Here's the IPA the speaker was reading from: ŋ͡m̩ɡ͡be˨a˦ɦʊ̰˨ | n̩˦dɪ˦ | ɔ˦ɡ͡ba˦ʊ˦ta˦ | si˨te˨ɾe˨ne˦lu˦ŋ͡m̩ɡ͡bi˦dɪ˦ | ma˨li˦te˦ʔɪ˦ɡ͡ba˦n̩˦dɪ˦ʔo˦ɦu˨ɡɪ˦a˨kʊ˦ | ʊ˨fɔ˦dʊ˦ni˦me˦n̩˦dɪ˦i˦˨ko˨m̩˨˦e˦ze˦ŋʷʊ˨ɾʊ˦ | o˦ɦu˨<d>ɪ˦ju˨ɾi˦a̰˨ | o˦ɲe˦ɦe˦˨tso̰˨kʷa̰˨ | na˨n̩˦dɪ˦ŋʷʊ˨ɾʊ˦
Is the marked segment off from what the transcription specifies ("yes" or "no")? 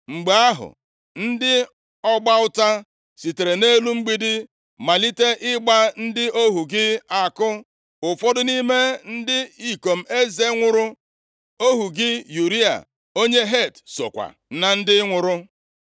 yes